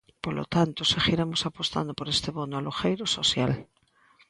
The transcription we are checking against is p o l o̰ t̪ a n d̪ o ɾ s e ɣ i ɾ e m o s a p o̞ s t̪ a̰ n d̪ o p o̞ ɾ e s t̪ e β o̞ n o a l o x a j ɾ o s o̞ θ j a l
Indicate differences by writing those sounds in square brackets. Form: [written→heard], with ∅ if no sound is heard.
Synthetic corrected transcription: p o l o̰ t̪ a n [d̪→t̪] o [ɾ→∅] s e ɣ i ɾ e m o s a p o̞ s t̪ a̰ n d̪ o p o̞ ɾ e s t̪ e β o̞ n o a l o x [a→e] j ɾ o s o̞ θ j a l